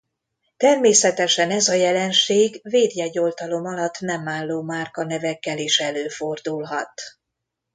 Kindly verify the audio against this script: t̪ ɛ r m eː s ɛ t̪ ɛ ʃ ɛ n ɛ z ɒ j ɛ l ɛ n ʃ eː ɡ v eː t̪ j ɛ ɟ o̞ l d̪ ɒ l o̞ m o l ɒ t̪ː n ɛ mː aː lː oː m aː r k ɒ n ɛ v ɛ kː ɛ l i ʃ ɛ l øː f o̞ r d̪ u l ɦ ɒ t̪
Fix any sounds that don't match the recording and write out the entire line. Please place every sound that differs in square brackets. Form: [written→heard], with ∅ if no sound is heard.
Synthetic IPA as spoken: t̪ ɛ r m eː s ɛ t̪ ɛ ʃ ɛ n ɛ z ɒ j ɛ l ɛ n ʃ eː ɡ v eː [t̪→d̪] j ɛ ɟ o̞ l [d̪→t̪] ɒ l o̞ m [o→ɒ] l ɒ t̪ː n ɛ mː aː lː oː m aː r k ɒ n ɛ v ɛ kː ɛ l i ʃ ɛ l øː f o̞ r d̪ u l ɦ ɒ t̪